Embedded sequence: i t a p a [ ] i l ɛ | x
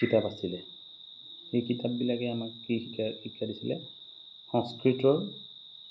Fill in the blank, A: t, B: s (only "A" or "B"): B